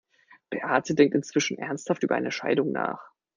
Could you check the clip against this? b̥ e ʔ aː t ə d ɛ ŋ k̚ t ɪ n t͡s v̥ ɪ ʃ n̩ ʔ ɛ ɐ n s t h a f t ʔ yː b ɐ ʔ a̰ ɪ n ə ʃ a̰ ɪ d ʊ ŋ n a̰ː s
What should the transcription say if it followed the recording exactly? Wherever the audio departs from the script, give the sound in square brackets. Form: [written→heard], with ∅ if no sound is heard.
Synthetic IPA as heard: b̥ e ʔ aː t ə d ɛ ŋ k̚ t ɪ n t͡s v̥ ɪ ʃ n̩ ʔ ɛ ɐ n s t h a f t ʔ yː b ɐ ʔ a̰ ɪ n ə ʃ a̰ ɪ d ʊ ŋ n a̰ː [s→χ]

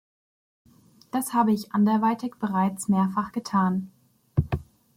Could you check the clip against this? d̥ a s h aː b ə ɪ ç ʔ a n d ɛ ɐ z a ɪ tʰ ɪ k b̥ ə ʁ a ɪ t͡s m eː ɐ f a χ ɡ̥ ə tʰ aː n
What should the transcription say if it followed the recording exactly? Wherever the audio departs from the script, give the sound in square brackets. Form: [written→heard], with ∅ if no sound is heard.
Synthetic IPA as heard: d̥ a s h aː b ə ɪ ç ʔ a n d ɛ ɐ [z→v] a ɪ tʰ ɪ k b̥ ə ʁ a ɪ t͡s m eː ɐ f a χ ɡ̥ ə tʰ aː n

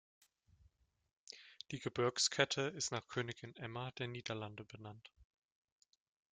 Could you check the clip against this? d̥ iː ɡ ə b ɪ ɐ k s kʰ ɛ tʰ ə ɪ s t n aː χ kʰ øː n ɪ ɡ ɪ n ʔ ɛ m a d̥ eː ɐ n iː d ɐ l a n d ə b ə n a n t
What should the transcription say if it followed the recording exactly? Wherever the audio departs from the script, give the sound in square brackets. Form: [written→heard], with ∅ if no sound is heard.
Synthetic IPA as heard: d̥ iː ɡ ə b ɪ ɐ k s kʰ ɛ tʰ ə ɪ s t n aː χ kʰ øː n ɪ ɡ ɪ n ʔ ɛ m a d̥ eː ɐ n iː d ɐ l a n d ə b ə n a n t

